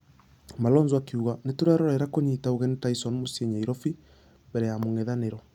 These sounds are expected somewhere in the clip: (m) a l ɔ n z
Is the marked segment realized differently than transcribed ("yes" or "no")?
no